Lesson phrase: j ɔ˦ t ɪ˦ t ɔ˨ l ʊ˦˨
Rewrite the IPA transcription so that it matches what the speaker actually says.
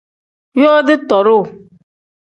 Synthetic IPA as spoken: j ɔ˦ d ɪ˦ t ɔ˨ ɾ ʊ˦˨